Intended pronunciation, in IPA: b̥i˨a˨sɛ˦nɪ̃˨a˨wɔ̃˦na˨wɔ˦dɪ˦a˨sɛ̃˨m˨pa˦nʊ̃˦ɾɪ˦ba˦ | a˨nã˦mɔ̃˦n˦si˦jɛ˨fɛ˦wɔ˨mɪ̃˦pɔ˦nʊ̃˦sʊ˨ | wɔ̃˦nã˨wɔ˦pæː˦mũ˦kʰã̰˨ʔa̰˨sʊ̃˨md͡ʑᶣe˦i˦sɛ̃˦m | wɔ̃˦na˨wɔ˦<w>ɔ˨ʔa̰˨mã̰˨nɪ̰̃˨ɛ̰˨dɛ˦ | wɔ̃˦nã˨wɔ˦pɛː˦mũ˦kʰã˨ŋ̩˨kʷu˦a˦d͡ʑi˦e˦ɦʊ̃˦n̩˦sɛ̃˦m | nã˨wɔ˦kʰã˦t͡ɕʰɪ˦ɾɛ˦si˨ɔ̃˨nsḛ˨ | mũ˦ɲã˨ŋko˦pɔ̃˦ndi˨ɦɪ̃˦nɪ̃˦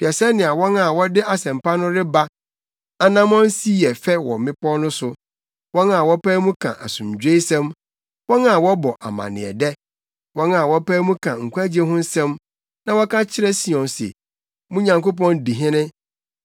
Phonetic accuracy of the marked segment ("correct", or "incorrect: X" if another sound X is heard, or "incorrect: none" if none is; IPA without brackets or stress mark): incorrect: b